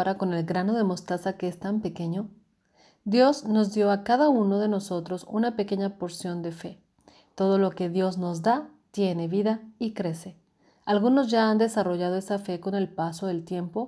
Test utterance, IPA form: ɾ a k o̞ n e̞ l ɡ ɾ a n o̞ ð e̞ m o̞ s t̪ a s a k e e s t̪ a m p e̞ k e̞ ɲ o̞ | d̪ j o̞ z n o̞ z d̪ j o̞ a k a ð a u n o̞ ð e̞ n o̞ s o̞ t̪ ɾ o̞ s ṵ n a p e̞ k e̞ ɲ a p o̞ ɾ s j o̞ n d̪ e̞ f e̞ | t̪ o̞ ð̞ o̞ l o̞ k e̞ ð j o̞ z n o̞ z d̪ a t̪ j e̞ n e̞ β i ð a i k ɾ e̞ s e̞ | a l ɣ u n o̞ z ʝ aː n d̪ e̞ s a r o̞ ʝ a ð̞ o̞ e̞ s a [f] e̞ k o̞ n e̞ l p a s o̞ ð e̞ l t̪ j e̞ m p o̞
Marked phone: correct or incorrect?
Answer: correct